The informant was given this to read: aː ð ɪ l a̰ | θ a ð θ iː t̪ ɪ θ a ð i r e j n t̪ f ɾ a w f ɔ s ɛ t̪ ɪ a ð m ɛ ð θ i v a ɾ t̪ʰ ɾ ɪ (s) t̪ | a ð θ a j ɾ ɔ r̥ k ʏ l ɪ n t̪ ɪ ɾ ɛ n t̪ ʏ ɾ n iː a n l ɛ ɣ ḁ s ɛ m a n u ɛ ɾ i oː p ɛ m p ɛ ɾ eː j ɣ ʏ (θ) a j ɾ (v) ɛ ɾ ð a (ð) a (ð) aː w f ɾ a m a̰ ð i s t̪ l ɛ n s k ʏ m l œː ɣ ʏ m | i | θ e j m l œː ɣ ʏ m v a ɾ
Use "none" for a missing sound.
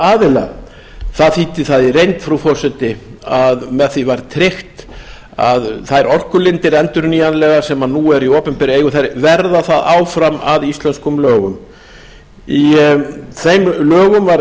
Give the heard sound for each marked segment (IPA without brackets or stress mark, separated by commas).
x, θ, v, θ, ð